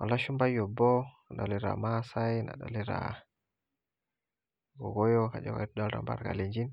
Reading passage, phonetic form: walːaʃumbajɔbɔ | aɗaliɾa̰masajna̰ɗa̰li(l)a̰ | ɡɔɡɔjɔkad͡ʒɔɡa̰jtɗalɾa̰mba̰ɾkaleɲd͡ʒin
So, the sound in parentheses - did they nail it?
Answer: no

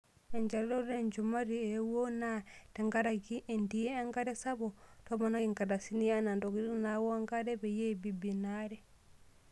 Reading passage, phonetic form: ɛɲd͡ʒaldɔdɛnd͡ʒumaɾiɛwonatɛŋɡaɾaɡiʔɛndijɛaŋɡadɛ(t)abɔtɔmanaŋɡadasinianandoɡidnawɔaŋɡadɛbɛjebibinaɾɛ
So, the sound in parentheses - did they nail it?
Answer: no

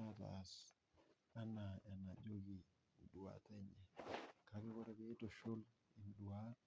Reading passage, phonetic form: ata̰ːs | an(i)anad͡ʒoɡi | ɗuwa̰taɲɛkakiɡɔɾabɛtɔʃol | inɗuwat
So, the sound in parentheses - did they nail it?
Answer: no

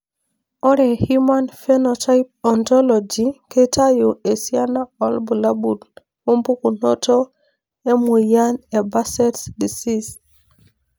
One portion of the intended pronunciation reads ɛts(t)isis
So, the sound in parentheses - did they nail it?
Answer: no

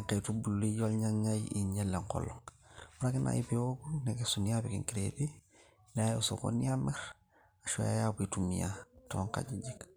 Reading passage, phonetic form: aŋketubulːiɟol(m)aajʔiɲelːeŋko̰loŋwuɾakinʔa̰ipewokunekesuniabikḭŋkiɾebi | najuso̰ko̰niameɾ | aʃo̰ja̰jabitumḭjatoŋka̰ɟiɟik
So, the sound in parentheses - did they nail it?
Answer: no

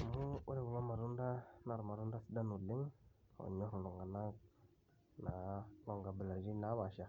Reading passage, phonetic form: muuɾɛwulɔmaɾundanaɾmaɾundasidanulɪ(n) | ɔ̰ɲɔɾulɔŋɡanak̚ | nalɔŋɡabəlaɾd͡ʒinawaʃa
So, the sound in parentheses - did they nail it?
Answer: no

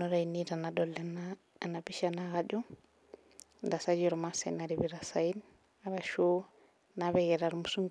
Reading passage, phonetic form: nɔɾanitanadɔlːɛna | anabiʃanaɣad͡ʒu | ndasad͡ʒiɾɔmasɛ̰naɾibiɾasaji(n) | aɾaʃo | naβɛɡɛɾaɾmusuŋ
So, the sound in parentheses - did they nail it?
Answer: yes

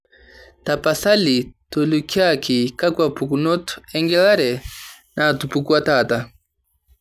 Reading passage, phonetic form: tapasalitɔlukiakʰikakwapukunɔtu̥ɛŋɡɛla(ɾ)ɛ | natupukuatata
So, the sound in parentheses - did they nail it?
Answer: yes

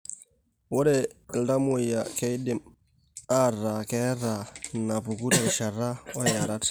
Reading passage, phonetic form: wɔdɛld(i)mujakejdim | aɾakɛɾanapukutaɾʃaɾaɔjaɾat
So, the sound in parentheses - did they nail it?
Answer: no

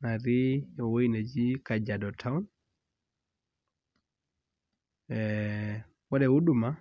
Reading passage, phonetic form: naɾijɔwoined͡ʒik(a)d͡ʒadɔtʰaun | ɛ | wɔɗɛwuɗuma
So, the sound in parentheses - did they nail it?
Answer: yes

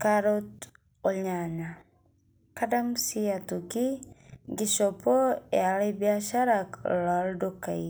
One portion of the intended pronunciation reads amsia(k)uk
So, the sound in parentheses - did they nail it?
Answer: no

